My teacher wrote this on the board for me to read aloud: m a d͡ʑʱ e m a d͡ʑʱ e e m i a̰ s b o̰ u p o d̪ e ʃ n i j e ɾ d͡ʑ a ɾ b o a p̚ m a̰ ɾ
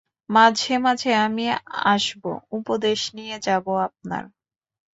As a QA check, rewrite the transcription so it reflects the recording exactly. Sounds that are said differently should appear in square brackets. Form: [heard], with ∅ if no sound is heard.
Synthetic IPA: m a d͡ʑʱ e m a d͡ʑʱ e [a] m i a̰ [ʃ] b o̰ u p o d̪ e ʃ n i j e [∅] d͡ʑ a [∅] b o a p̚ [n] a̰ ɾ